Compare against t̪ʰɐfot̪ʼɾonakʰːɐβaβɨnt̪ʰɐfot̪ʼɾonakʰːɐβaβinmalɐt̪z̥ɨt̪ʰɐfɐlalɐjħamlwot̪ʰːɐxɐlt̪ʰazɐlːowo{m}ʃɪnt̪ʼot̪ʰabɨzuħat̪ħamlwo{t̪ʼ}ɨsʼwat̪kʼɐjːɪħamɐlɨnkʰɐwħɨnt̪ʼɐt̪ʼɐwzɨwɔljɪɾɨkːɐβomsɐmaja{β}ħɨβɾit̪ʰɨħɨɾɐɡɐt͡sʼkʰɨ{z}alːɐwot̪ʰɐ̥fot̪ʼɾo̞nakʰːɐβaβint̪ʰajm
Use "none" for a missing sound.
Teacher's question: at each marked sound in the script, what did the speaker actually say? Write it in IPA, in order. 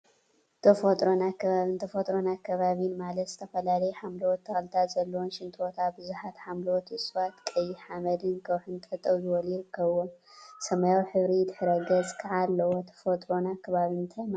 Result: n, t̪, w, ʕ

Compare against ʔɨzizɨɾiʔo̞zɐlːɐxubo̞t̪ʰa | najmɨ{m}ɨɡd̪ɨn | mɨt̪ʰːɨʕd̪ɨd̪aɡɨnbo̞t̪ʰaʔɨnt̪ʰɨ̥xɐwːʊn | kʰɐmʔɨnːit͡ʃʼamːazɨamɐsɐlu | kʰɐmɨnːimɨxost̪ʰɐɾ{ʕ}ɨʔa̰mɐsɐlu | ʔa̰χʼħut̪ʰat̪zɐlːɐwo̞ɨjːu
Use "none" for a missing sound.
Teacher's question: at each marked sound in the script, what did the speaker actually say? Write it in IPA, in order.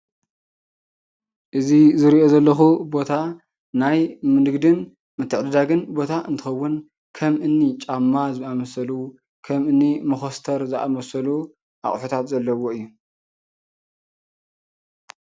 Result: n, z

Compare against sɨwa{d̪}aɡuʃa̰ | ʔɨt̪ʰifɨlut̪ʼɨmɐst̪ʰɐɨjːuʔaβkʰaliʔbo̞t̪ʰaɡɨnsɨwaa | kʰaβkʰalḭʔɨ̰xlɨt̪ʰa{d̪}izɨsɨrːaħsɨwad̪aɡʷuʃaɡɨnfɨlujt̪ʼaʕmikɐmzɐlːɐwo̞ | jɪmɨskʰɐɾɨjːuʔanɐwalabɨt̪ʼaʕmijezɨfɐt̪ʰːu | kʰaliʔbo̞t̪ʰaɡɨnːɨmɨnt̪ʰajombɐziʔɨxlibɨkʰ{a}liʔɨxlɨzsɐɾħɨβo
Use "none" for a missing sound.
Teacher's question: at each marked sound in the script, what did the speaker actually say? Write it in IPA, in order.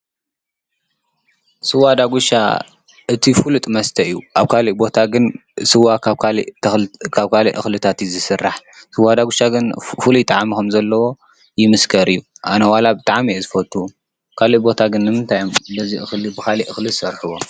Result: d̪, t̪, a

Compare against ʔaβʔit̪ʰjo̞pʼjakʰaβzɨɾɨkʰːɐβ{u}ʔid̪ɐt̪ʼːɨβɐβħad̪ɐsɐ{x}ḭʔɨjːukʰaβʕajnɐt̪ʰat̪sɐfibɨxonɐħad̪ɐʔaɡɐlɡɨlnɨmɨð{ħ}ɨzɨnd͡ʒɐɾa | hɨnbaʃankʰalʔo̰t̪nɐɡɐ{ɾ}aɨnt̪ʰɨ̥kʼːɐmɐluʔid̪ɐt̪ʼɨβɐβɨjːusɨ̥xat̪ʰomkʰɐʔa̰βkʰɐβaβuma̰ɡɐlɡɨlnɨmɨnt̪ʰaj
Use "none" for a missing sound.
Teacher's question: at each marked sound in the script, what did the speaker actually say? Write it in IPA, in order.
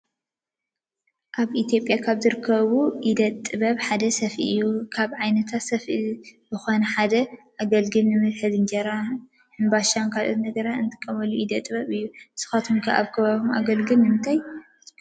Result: u, f, ħ, ɾ

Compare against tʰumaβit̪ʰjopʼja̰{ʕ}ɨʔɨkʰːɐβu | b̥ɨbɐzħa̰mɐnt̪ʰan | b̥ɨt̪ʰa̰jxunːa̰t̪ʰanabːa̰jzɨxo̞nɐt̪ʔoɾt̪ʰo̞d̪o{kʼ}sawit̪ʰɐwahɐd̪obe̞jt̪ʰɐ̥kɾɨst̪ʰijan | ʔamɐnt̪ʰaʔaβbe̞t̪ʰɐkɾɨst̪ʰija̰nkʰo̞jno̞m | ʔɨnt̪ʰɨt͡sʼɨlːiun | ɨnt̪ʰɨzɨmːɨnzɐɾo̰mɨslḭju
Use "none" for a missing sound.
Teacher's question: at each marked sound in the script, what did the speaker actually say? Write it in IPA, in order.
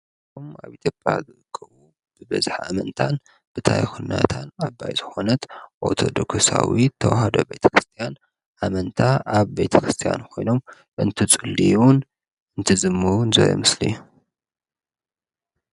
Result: z, k

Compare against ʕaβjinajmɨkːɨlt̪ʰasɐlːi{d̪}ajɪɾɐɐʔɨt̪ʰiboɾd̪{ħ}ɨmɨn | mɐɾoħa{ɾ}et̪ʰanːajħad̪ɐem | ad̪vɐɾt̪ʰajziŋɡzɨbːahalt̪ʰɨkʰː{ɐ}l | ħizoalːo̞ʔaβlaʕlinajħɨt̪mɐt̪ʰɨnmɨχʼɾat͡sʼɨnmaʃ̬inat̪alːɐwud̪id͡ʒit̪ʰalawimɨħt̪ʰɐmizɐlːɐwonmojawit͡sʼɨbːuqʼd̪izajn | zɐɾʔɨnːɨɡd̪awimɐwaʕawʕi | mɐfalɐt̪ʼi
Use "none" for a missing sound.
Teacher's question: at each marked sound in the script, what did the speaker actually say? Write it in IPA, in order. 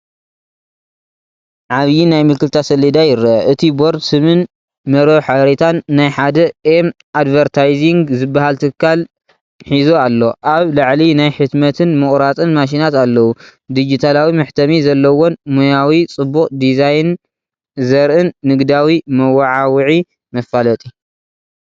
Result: d̪, s, ɾ, a

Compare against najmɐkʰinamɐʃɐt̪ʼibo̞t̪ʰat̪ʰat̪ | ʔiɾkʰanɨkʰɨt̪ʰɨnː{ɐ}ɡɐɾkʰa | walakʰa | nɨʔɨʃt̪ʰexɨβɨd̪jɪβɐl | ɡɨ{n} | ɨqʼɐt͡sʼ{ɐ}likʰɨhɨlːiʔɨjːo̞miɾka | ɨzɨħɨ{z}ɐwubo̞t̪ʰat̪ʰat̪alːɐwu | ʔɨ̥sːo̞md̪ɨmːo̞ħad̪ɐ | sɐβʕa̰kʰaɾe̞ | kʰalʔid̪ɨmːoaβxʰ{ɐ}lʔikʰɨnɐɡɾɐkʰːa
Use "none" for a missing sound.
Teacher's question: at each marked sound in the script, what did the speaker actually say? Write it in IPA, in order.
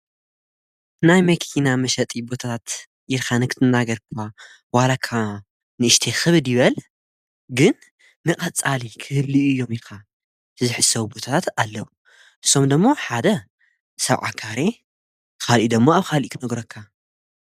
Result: a, nː, a, s, a

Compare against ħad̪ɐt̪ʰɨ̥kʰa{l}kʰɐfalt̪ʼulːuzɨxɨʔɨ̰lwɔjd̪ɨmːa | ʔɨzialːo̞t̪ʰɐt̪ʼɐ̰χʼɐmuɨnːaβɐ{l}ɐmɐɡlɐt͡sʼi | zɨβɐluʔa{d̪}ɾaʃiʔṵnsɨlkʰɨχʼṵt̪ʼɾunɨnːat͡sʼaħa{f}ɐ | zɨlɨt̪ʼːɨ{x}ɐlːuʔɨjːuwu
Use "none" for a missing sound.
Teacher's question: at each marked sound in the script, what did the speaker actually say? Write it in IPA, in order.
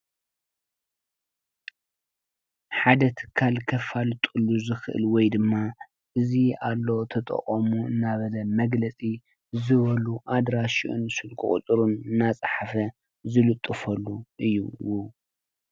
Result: l, l, d̪, f, f

